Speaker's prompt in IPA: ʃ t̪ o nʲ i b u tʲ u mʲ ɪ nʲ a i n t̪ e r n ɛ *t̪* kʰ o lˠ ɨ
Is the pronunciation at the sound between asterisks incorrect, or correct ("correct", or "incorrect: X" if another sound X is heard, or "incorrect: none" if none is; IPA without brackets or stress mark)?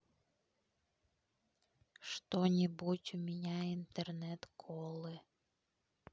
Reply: correct